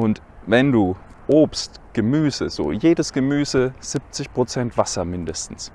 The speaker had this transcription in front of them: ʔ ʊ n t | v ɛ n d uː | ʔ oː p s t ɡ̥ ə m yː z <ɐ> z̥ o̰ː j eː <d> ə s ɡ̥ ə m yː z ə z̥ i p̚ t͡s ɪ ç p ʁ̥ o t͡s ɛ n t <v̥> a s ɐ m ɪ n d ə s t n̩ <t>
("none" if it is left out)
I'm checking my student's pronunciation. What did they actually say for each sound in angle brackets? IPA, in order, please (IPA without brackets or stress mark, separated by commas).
ə, d, v̥, s